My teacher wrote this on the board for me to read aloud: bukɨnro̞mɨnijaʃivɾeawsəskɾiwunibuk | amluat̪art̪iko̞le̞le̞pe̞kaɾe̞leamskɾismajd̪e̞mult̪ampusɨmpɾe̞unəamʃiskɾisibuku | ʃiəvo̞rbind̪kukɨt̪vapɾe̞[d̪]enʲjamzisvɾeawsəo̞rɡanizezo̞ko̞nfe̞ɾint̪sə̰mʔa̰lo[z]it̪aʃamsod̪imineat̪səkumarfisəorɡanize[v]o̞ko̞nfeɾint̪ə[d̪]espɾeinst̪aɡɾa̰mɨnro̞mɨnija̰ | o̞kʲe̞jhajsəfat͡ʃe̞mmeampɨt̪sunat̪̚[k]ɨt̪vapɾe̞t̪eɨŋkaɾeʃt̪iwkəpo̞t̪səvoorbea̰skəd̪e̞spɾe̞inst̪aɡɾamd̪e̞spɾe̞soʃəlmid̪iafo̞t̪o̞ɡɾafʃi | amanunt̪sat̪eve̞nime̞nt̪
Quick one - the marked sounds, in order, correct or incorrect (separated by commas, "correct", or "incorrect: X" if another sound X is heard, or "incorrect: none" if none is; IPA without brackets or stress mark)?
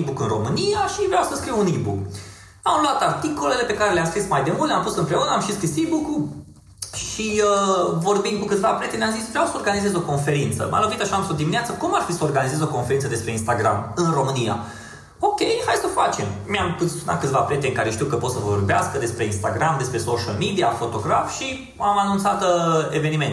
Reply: incorrect: t̪, incorrect: v, incorrect: z, correct, correct